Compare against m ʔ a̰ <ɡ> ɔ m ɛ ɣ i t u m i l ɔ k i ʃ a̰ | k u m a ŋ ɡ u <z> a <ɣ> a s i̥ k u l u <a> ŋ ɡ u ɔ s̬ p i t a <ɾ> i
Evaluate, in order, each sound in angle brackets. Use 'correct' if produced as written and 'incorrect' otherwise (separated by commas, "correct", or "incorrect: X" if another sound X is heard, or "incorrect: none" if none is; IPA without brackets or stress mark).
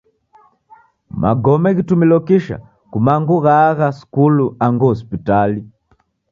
correct, incorrect: ɣ, correct, correct, incorrect: l